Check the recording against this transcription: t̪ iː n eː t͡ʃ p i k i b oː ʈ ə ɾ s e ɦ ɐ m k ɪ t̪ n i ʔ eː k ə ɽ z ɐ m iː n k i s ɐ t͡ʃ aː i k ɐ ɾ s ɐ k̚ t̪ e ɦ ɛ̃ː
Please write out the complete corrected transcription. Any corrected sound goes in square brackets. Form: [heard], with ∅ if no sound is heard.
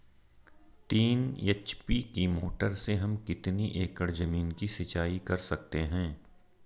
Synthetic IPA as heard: t̪ iː n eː t͡ʃ p i k i [m] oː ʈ ə ɾ s e ɦ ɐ m k ɪ t̪ n i ʔ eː k ə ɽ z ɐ m iː n k i s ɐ t͡ʃ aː i k ɐ ɾ s ɐ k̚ t̪ e ɦ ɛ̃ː